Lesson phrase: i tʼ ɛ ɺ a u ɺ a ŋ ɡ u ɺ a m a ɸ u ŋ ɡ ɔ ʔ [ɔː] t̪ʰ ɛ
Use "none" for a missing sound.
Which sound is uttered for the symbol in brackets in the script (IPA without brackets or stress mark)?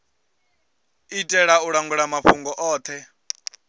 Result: ɔː